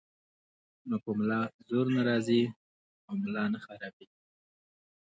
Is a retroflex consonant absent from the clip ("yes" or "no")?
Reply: yes